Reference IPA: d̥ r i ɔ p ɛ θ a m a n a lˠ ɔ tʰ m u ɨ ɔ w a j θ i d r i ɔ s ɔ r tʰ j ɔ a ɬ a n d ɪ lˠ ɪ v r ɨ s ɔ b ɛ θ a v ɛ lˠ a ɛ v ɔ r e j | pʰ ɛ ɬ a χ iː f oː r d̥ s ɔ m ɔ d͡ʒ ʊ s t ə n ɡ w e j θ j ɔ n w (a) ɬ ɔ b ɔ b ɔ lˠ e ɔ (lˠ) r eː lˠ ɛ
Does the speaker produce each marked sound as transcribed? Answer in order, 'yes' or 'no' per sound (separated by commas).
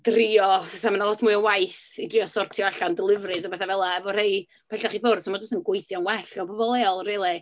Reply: no, yes